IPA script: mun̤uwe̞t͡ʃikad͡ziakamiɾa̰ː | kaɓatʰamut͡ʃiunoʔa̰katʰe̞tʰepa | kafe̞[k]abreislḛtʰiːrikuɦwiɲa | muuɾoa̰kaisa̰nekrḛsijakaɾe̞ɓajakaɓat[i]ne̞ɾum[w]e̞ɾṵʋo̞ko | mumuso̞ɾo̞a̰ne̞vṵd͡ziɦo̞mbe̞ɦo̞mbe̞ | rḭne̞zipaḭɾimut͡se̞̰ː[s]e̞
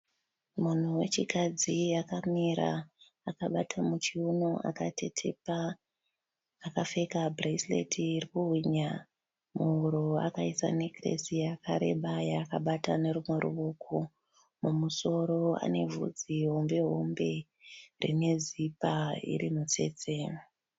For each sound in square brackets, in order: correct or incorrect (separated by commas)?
correct, incorrect, correct, incorrect